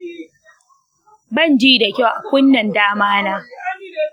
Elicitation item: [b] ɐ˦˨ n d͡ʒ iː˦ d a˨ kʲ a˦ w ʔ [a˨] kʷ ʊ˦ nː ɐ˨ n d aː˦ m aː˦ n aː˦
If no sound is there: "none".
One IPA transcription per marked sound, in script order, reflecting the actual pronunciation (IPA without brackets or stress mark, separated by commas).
b, a˨